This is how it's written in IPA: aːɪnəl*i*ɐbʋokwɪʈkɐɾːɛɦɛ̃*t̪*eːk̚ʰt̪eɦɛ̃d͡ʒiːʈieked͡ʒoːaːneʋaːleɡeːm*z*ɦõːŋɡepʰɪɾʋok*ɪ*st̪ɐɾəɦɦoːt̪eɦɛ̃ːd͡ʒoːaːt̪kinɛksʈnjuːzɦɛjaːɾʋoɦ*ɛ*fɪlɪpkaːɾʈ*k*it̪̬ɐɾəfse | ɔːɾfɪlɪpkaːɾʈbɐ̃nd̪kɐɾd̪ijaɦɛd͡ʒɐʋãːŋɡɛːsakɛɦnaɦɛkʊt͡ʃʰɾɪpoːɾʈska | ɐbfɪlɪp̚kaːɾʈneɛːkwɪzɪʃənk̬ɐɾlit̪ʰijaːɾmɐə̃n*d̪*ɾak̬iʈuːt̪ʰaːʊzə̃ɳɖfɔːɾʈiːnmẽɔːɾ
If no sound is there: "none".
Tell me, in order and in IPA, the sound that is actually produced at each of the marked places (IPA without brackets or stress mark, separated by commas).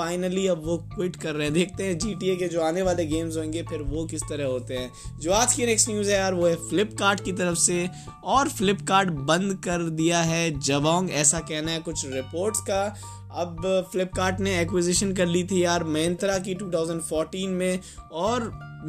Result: i, d̪, z, ɪ, ɛ, k, t̪